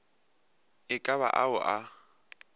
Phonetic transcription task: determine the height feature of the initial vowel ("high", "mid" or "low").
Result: high